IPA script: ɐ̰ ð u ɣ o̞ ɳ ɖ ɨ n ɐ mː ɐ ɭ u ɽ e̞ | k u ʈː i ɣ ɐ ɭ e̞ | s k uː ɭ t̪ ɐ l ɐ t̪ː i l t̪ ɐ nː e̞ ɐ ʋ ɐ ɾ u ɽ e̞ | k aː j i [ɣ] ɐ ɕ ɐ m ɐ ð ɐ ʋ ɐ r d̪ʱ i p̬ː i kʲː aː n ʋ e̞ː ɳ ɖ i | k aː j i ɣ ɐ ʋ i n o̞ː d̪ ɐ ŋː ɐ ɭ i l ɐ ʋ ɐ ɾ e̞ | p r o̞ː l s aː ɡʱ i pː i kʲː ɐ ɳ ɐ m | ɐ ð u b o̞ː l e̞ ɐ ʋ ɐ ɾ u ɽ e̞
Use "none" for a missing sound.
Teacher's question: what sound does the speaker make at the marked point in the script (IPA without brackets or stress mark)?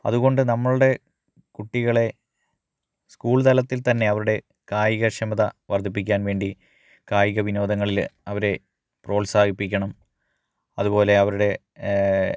ɣ